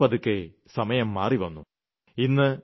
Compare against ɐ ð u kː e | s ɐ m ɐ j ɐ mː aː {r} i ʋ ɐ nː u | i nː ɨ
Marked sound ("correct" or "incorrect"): correct